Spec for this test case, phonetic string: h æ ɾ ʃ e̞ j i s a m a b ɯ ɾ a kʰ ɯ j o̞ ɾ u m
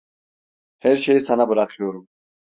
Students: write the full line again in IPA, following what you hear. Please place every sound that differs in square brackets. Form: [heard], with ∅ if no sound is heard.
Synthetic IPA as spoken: h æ ɾ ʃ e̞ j i s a [n] a b ɯ ɾ a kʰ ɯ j o̞ ɾ u m